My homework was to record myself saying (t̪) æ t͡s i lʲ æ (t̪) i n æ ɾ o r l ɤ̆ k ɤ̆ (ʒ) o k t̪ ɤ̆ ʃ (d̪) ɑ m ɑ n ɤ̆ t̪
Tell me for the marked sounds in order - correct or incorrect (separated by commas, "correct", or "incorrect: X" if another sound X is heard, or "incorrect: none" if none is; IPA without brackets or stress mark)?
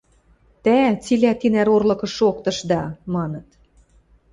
correct, correct, incorrect: ʃ, correct